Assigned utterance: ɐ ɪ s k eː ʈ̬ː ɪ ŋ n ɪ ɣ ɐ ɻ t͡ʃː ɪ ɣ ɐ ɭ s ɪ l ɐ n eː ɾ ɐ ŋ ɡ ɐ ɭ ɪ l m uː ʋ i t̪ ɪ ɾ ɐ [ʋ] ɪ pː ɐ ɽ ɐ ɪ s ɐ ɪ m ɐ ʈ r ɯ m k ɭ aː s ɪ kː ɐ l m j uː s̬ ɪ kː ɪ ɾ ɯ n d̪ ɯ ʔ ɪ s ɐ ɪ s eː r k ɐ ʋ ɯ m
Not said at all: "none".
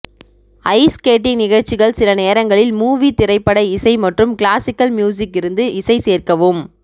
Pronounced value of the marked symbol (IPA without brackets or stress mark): none